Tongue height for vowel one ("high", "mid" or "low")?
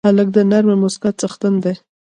low